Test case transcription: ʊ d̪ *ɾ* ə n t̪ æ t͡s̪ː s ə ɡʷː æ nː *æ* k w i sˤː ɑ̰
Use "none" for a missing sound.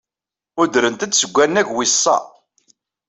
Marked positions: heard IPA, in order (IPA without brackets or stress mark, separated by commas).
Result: ɾ, æ